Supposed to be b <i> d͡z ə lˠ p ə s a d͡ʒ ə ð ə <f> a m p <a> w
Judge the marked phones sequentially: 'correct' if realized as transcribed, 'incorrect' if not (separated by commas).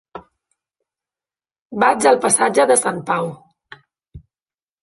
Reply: incorrect, incorrect, correct